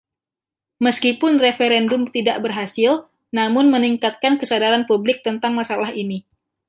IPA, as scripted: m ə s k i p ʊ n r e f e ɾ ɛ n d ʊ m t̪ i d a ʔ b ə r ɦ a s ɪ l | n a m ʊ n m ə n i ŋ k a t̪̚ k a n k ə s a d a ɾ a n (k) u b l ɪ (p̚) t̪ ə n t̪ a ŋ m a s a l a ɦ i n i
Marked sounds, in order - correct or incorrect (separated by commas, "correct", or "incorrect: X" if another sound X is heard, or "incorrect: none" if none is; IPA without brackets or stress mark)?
incorrect: p, incorrect: k̚